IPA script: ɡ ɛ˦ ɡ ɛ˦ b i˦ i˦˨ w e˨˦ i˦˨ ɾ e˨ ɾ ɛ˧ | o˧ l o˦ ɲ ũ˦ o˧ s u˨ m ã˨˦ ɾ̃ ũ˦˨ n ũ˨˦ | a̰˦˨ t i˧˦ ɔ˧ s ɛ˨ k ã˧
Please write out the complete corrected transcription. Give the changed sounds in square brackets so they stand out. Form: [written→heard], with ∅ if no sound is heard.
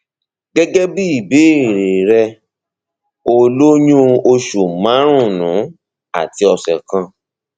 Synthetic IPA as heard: ɡ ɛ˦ ɡ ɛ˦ b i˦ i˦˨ [w→b] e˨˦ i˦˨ ɾ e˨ ɾ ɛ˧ | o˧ l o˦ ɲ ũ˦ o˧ [s→ʃ] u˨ m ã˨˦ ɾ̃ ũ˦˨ n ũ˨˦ | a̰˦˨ t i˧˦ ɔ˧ s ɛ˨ k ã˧

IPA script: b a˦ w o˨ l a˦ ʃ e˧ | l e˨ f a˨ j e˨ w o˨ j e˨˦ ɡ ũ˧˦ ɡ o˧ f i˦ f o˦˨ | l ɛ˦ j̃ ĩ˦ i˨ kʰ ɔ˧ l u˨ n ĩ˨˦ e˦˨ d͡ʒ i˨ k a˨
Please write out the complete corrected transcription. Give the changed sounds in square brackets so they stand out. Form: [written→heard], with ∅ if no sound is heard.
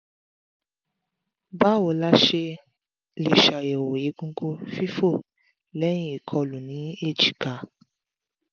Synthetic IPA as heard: b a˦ w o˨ l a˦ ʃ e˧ | l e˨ [f→ʃ] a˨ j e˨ w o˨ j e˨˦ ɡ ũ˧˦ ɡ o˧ f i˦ f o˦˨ | l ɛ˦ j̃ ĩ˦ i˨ kʰ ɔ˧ l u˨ n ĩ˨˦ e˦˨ d͡ʒ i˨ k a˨

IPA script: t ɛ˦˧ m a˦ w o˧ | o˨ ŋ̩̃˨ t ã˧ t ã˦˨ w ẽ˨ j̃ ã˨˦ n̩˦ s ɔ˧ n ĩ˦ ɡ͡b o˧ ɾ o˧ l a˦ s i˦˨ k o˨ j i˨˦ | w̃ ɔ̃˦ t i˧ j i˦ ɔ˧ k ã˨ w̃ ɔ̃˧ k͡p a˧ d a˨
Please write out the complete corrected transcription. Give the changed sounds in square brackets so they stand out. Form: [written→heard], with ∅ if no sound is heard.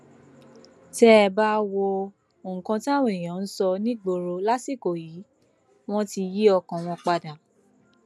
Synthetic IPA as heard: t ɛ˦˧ [m→b] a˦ w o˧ | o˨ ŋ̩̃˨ [t→k] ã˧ t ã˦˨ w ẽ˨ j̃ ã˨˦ n̩˦ s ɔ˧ n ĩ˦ ɡ͡b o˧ ɾ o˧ l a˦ s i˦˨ k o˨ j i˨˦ | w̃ ɔ̃˦ t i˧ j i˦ ɔ˧ k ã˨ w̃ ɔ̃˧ k͡p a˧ d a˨

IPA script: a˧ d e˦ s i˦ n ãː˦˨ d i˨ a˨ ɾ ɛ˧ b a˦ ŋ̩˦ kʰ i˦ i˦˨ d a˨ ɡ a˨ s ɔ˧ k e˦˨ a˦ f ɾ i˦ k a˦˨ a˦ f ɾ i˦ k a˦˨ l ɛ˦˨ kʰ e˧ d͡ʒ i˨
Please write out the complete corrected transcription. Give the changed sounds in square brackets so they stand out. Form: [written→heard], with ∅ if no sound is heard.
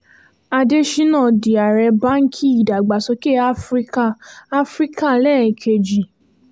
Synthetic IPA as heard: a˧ d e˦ [s→ʃ] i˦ n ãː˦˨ d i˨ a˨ ɾ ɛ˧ b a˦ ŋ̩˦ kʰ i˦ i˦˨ d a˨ [ɡ→ɡ͡b] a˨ s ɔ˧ k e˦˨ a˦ f ɾ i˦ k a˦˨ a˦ f ɾ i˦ k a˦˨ l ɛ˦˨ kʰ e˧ d͡ʒ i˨

